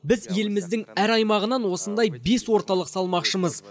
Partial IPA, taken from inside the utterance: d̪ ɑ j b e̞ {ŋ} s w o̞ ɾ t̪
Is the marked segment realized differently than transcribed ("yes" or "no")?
yes